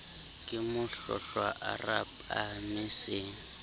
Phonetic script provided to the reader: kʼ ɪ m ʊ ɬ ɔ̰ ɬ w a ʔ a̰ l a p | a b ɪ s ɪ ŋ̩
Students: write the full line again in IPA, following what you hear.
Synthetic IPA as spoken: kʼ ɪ m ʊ ɬ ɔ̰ ɬ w a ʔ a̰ r a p | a m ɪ s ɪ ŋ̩